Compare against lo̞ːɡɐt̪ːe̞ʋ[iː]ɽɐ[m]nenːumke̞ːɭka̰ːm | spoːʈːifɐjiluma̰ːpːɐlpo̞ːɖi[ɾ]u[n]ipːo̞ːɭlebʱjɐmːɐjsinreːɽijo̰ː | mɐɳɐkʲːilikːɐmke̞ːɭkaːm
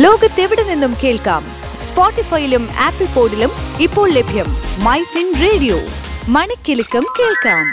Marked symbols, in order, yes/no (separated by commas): no, no, no, no